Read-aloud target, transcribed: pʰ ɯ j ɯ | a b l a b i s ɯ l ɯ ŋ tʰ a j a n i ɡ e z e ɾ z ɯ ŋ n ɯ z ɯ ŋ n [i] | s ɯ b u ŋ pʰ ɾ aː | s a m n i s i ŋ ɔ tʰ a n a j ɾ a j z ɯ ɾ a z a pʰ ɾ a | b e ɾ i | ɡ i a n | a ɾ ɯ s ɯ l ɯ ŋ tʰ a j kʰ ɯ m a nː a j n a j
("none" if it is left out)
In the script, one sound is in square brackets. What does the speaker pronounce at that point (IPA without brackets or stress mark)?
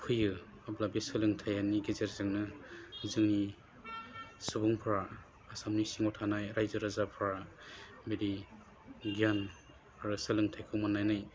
i